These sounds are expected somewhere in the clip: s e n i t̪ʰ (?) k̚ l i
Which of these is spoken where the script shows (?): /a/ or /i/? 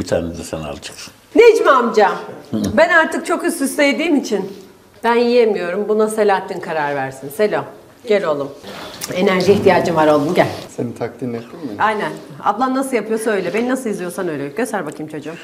a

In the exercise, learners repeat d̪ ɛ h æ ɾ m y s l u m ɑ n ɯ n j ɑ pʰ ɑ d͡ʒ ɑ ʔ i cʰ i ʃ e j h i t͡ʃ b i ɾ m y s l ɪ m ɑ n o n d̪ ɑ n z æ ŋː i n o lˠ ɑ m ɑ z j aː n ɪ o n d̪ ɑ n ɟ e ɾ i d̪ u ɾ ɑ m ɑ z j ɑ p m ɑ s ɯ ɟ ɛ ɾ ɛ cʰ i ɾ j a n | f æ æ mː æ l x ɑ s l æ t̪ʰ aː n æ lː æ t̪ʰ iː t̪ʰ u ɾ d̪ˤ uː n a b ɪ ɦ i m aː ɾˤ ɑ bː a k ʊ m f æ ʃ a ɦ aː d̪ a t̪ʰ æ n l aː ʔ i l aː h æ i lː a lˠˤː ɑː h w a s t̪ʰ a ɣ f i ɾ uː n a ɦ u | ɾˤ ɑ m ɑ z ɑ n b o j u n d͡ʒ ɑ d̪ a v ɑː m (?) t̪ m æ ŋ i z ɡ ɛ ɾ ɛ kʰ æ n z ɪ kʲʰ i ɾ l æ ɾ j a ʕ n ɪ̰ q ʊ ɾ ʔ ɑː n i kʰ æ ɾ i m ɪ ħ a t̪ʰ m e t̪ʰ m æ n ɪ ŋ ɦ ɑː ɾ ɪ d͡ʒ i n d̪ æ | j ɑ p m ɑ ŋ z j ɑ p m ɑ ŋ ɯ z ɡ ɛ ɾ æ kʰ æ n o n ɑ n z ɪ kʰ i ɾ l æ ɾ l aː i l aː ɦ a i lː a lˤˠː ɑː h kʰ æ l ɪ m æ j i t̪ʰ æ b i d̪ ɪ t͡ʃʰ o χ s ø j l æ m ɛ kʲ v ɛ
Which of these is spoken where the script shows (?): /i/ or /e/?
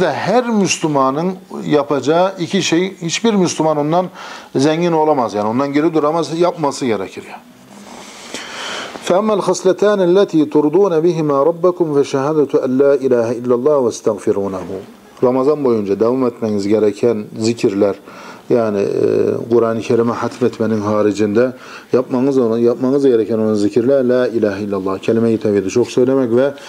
e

